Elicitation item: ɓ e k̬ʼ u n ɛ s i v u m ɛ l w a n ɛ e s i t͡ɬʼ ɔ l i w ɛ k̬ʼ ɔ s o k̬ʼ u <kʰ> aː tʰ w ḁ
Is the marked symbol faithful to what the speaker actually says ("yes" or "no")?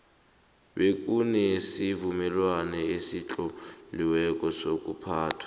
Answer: no